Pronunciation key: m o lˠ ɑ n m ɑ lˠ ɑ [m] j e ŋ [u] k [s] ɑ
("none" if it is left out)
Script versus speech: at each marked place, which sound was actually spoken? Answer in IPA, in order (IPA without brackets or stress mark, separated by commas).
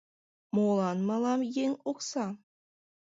m, o, s